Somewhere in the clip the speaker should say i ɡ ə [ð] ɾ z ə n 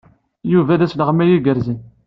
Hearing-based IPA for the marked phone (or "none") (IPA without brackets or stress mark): none